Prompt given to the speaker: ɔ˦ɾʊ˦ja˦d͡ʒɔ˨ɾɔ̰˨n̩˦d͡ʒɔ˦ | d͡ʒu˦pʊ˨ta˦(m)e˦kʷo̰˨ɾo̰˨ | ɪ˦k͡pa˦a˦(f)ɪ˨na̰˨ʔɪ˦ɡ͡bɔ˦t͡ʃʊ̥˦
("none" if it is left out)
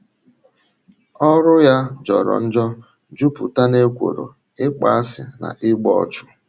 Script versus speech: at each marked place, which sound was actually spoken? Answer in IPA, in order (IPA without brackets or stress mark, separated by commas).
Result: n, s